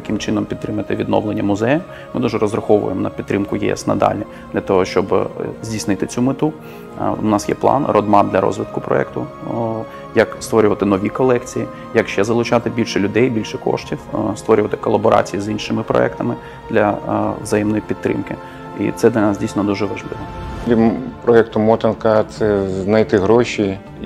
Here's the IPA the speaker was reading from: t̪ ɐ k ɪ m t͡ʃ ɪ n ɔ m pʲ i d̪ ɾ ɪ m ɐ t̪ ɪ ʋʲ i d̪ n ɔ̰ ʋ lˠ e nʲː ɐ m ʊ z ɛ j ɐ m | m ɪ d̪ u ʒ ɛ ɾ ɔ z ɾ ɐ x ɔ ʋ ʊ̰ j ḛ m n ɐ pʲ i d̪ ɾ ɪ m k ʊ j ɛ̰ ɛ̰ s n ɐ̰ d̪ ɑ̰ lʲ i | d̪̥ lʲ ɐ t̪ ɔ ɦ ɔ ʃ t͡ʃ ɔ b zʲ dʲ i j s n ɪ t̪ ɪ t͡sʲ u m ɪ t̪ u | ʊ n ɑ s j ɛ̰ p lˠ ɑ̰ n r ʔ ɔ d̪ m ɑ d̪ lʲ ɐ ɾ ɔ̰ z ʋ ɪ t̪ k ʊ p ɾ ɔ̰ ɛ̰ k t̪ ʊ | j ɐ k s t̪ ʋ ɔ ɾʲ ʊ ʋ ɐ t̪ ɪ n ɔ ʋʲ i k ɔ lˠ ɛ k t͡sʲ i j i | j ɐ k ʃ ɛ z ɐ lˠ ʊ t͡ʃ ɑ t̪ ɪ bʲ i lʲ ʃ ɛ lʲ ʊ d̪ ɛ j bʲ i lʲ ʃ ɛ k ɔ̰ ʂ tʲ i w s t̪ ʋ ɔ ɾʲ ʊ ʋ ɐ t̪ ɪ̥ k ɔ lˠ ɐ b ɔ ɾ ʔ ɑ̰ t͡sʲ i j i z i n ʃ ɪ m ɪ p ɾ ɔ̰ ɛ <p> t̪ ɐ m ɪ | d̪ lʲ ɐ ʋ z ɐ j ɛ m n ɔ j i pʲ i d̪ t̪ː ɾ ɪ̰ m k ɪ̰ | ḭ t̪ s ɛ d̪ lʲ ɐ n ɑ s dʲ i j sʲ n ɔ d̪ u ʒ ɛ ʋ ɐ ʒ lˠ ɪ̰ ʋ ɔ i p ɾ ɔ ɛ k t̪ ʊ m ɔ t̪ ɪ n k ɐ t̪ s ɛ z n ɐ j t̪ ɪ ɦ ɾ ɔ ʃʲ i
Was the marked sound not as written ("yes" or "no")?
yes